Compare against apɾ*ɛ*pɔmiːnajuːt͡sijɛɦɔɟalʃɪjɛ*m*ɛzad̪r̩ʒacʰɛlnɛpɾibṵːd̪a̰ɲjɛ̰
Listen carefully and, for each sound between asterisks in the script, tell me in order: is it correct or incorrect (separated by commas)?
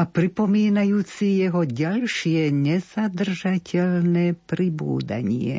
incorrect, incorrect